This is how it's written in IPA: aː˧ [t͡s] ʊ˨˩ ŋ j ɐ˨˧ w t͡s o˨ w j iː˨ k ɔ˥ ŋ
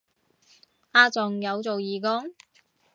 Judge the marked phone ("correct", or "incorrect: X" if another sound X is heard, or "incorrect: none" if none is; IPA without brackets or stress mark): correct